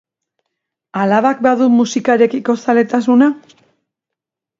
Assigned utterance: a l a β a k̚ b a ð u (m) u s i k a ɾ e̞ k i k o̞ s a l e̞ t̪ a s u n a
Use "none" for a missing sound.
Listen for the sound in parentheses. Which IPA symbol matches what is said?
m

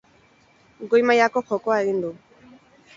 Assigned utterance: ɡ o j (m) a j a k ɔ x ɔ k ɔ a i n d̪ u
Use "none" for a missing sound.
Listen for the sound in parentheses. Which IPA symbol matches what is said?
m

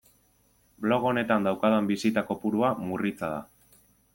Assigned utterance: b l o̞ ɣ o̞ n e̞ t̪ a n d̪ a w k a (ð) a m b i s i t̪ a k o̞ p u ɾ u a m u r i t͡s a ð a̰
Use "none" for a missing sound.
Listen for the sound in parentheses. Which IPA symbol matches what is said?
ð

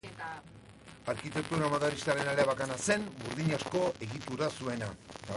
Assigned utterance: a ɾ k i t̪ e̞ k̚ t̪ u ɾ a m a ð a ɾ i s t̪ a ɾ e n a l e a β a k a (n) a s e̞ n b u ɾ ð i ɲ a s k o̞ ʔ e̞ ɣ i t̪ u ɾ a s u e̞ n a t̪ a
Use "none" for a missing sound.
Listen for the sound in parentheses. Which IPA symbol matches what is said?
n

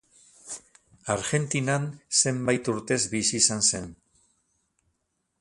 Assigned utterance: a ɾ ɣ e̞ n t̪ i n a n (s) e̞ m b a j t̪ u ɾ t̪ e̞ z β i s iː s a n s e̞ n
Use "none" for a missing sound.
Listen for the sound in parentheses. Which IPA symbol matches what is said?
s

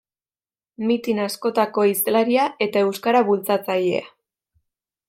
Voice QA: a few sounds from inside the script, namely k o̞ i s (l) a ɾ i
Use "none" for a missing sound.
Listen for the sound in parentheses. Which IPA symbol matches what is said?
l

